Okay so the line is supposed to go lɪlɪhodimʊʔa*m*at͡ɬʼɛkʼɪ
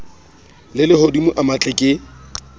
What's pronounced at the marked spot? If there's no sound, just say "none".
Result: m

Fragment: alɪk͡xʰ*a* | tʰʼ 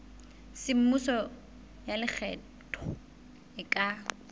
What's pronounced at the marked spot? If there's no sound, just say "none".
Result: ɛ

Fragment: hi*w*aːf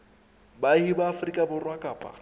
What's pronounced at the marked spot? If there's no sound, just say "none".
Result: b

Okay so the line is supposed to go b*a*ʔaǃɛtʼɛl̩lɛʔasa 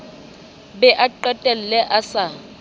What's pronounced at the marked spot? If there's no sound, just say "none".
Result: ɛ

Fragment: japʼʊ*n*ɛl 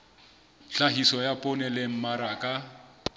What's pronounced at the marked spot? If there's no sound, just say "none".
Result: n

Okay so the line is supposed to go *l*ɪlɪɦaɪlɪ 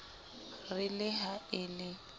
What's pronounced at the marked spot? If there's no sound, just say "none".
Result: r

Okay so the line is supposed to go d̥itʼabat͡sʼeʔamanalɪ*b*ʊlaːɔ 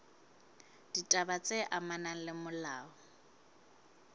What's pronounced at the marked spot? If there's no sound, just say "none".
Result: m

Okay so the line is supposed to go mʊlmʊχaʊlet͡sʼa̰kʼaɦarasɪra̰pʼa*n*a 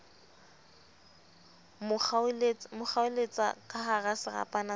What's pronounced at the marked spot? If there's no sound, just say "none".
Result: n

